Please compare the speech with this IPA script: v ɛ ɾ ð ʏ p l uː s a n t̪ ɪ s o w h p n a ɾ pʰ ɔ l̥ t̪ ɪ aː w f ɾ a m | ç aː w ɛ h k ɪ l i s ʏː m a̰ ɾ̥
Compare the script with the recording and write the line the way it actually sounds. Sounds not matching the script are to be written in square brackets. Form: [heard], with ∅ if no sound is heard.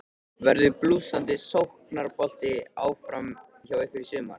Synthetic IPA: v ɛ ɾ ð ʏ p l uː s a n t̪ ɪ s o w h [k] n a ɾ [p] ɔ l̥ t̪ ɪ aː w f ɾ a m | ç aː w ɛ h k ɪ [ɾ] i s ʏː m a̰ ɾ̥